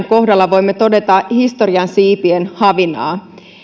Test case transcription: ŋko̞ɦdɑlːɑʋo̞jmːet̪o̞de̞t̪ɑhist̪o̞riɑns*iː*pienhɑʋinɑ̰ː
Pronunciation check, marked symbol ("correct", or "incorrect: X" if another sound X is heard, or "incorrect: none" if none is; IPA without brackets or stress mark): correct